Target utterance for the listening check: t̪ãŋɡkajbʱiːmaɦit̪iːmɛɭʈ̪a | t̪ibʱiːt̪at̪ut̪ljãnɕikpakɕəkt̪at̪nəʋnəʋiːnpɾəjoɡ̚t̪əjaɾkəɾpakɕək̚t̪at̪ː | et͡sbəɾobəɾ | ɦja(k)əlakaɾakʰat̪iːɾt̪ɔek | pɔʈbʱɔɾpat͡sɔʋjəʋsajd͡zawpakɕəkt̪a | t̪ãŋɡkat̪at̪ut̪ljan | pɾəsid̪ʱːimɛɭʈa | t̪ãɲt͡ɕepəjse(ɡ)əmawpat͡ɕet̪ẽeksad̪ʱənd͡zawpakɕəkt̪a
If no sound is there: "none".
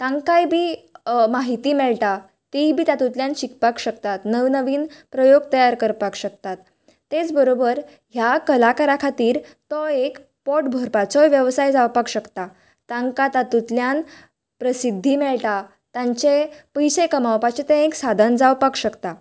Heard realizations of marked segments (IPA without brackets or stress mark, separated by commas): k, k